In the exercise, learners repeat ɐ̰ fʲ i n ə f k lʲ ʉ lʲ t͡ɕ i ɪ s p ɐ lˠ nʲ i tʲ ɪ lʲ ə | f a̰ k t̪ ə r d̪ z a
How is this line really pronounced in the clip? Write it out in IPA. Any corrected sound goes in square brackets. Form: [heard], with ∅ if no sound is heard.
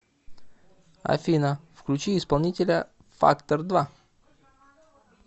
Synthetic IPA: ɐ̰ fʲ i n ə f k lʲ ʉ [∅] t͡ɕ i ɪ s p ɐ lˠ nʲ i tʲ ɪ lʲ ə | f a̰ k t̪ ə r d̪ [v] a

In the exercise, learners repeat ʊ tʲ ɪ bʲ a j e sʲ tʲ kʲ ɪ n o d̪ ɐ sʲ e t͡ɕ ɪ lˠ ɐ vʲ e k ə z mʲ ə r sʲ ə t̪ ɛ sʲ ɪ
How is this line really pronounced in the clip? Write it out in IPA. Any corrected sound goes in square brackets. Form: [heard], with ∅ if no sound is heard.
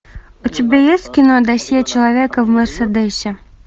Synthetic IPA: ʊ tʲ ɪ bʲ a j e sʲ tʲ kʲ ɪ n o d̪ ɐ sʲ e t͡ɕ ɪ lˠ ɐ vʲ e k ə [v] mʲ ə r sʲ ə [d̪] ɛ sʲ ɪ

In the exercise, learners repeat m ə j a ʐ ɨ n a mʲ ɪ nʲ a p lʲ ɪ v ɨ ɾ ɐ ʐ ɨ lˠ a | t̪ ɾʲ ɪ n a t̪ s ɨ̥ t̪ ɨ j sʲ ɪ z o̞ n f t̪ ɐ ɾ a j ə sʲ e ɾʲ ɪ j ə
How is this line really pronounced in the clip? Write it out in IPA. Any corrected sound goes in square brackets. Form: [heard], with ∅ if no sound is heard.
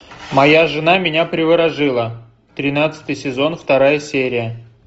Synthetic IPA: m [ɐ] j a ʐ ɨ n a mʲ ɪ nʲ a p [ɾʲ] ɪ v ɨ ɾ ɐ ʐ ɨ lˠ [ə] | t̪ ɾʲ ɪ n a t̪ s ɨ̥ t̪ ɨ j sʲ ɪ z o̞ n f t̪ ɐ ɾ a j ə sʲ e ɾʲ ɪ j ə

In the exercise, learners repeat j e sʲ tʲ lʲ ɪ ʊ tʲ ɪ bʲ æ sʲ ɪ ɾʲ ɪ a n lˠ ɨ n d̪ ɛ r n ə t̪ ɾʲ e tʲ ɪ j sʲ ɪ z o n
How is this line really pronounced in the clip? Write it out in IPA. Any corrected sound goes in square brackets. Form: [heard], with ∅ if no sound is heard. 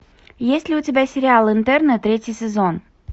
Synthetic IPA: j e sʲ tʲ lʲ ɪ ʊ tʲ ɪ bʲ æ sʲ ɪ ɾʲ ɪ a [∅] lˠ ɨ n [t̪] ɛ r n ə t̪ ɾʲ e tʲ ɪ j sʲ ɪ z o n

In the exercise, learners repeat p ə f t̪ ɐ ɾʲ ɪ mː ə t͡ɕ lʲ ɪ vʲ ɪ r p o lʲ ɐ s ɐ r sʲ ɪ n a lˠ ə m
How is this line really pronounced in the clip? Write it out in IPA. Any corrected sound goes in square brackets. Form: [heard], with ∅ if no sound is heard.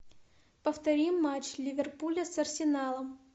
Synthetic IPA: p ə f t̪ ɐ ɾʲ [i] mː [a] t͡ɕ lʲ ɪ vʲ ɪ r p [u] lʲ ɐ s ɐ r sʲ ɪ n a lˠ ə m

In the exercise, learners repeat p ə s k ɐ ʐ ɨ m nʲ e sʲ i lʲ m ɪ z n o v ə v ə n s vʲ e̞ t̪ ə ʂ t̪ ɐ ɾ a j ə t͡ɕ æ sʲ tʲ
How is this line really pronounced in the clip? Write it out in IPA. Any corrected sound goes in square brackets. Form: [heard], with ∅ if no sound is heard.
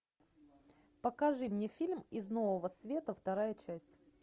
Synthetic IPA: p ə [∅] k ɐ ʐ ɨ m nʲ e [fʲ] i lʲ m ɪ z n o v ə v ə [∅] s vʲ e̞ t̪ ə [f] t̪ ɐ ɾ a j ə t͡ɕ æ sʲ tʲ

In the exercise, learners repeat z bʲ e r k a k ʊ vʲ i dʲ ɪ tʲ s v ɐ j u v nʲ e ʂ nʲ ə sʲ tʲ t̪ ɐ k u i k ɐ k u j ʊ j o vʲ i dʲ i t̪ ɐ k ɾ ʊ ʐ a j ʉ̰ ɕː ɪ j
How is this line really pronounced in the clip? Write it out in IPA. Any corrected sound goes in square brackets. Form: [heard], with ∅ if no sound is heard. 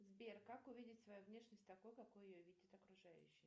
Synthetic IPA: z bʲ e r k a k ʊ vʲ i dʲ ɪ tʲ s v ɐ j u v nʲ e ʂ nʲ ə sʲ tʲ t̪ ɐ k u [j] k ɐ k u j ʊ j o vʲ i dʲ [ɪ] t̪ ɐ k ɾ ʊ ʐ a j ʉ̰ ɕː ɪ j

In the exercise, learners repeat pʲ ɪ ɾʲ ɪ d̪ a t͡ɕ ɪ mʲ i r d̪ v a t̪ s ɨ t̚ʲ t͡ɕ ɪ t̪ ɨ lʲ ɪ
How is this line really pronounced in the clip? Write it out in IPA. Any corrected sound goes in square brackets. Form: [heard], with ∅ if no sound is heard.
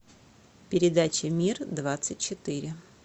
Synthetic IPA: pʲ ɪ ɾʲ ɪ d̪ a t͡ɕ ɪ mʲ i r d̪ v a t̪ s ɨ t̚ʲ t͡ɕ ɪ t̪ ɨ [ɾʲ] ɪ

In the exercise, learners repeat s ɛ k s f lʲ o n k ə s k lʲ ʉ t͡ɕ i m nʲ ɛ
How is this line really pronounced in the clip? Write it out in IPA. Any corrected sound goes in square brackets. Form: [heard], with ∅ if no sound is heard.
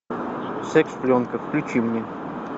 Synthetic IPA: s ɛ k s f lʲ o n k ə [f] k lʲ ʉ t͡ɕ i m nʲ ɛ

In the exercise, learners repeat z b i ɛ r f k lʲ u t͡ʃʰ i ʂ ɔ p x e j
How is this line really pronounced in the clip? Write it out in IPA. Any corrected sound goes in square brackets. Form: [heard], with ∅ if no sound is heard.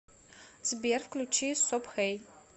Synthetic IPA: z b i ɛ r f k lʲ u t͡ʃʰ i [s] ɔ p x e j

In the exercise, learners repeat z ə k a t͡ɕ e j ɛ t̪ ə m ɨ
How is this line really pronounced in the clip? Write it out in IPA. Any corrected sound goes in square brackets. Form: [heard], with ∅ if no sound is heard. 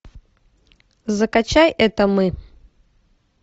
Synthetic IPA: z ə k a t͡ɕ [a] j ɛ t̪ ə m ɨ

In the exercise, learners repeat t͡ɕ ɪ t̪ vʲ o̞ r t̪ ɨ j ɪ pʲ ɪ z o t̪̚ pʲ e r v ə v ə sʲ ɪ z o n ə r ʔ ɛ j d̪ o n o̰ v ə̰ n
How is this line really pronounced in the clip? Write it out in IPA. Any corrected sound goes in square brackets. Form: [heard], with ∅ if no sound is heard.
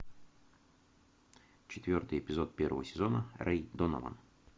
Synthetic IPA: t͡ɕ ɪ t̪ vʲ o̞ r t̪ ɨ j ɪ pʲ ɪ z o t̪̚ pʲ e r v ə v ə sʲ ɪ z o n ə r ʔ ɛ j d̪ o n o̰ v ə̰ n

